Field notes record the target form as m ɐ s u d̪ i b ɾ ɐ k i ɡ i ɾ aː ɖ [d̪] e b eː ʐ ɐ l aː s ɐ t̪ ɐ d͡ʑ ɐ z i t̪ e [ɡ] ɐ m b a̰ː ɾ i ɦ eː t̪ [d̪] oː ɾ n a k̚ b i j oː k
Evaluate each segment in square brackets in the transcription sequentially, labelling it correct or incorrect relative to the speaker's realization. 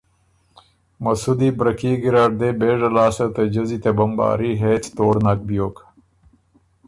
correct, incorrect: b, incorrect: t̪

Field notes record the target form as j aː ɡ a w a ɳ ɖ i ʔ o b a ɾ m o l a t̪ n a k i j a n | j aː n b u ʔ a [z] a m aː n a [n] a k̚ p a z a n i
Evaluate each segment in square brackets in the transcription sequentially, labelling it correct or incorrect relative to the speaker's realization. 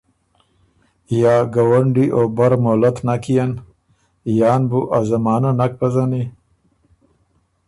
correct, correct

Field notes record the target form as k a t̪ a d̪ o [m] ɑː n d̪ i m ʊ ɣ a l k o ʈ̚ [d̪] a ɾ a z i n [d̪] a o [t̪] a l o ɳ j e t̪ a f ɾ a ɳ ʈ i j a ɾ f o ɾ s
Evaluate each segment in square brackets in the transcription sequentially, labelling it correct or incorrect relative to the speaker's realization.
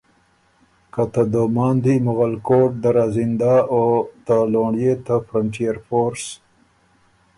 correct, correct, correct, correct

